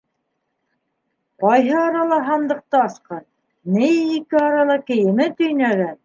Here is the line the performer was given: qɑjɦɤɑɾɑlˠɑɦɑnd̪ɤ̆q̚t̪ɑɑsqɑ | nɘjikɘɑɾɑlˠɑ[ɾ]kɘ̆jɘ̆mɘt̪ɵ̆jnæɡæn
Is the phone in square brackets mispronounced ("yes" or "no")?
yes